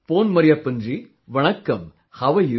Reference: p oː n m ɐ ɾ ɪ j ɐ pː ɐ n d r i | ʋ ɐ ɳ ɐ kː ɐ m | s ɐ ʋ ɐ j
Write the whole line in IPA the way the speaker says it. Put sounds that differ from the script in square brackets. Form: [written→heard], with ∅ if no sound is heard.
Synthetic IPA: p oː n m ɐ ɾ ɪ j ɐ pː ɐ n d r i | ʋ ɐ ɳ ɐ kː ɐ m | [s→h] ɐ ʋ ɐ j

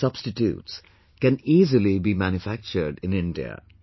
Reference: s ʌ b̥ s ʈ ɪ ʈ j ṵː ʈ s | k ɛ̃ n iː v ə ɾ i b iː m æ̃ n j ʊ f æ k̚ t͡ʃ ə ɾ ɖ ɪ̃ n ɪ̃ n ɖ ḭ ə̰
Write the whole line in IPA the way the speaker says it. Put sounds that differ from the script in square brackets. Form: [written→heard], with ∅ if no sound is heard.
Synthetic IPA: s ʌ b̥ s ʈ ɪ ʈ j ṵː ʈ s | k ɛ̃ n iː [v→z] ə [ɾ→l] i b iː m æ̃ n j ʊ f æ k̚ t͡ʃ ə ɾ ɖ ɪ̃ n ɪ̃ n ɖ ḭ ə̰

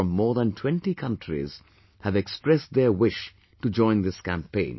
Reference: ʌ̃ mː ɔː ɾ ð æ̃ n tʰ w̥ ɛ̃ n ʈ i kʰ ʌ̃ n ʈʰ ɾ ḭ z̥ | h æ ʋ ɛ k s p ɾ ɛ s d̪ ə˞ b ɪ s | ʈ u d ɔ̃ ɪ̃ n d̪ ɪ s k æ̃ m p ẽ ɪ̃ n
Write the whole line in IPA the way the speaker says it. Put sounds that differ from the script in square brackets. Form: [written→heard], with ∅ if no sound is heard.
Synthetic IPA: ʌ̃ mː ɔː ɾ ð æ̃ n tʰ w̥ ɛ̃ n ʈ i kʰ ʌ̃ n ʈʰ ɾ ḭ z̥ | h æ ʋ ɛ k s p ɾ ɛ s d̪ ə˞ [b→w] ɪ [s→ʃ] | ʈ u [d→d͡ʒ] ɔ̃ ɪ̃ n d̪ ɪ s k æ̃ m p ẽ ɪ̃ n

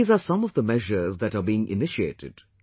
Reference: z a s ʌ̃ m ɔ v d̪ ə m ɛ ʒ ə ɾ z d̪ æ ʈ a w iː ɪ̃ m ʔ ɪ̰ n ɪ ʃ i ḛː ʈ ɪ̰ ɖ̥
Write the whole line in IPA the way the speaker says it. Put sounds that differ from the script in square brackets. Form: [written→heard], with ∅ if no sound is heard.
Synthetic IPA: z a s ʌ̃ m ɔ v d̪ ə m ɛ ʒ ə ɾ z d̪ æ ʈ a [w→b] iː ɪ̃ [m→ŋ] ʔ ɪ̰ n ɪ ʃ i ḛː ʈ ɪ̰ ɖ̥

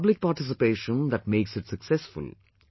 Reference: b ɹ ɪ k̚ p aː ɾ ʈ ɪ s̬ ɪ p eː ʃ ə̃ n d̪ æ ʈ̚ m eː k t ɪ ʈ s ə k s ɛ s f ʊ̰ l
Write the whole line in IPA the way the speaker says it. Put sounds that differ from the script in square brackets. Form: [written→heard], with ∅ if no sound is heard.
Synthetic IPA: b [ɹ→l] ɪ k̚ p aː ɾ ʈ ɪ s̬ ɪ p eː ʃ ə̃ n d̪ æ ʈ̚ m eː k [t→s] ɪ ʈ s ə k s ɛ s f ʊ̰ l

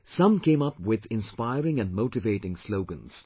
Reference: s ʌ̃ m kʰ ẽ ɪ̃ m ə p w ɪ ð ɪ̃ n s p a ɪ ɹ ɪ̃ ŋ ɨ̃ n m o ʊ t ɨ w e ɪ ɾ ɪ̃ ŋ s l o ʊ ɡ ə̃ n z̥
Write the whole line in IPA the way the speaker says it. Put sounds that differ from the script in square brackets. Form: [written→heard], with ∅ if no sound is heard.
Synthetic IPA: s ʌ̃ m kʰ ẽ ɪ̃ m [ə→ʌ] p w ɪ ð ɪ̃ n s p a ɪ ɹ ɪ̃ ŋ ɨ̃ n m o ʊ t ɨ [w→v] e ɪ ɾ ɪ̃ ŋ s l o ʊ ɡ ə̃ n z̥

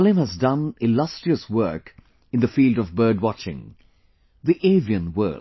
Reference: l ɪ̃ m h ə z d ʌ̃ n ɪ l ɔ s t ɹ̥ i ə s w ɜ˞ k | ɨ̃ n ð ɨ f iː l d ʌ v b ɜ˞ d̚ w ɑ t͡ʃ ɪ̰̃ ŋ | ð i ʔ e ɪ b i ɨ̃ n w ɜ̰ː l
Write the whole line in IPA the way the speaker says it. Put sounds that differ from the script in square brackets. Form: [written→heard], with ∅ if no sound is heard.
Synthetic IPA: l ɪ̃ m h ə z d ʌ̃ n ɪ l [ɔ→ʌ] s t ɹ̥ i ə s w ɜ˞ k | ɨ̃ n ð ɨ f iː l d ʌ v b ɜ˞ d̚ w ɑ t͡ʃ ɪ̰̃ ŋ | ð i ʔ e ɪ [b→v] i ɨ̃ n w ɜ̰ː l

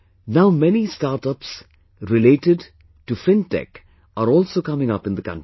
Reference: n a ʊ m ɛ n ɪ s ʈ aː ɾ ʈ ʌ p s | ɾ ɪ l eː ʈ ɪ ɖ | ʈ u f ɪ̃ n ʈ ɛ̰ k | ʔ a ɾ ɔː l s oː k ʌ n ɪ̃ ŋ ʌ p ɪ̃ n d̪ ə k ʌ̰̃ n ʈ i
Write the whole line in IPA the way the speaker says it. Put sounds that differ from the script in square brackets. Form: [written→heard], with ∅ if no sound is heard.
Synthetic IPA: n a ʊ m ɛ n [ɪ→i] s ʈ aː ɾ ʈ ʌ p s | ɾ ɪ l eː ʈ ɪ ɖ | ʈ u f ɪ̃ n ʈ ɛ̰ k | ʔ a ɾ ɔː l s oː k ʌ [n→m] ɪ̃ ŋ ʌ p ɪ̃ n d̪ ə k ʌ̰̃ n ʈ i

